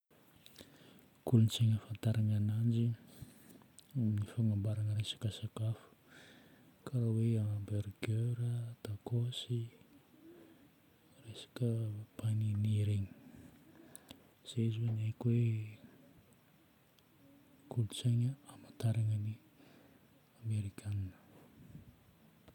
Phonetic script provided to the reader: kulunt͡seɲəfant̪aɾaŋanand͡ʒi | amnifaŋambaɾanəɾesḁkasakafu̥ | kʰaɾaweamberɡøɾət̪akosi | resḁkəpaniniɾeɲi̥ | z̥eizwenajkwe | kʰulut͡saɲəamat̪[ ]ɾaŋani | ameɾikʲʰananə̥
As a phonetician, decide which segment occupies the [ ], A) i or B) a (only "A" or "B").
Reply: B